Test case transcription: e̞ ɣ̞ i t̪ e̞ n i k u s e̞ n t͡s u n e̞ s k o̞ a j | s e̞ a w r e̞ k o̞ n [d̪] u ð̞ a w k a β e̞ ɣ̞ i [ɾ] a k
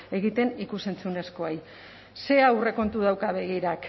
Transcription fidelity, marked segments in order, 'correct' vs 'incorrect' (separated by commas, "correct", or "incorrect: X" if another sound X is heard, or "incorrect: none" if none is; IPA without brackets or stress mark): incorrect: t̪, correct